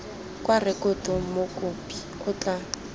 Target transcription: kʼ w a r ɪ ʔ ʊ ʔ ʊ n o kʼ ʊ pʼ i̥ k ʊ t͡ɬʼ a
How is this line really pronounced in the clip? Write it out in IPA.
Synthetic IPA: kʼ w a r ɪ k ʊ t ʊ m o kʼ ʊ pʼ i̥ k ʊ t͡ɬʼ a